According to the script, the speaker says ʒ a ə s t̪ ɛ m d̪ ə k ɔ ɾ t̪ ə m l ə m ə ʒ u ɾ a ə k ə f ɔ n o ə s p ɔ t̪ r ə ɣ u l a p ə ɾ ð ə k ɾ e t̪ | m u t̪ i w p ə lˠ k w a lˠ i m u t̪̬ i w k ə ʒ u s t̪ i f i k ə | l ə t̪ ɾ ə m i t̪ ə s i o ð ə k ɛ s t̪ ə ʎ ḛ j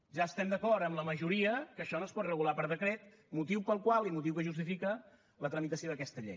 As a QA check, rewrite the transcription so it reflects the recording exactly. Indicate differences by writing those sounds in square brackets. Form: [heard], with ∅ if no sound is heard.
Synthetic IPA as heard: ʒ a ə s t̪ ɛ m d̪ ə k ɔ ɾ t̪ ə m l ə m ə ʒ u ɾ [i] ə k ə [ʃ] ɔ n o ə s p ɔ t̪ r ə ɣ u l a p ə ɾ ð ə k ɾ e t̪ | m u t̪ i w p ə lˠ k w a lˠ i m u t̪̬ i w k ə ʒ u s t̪ i f i k ə | l ə t̪ ɾ ə m i t̪ ə s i o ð ə k ɛ s t̪ ə ʎ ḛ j